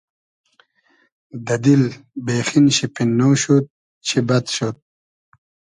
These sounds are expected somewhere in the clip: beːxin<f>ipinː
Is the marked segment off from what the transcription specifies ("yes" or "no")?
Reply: yes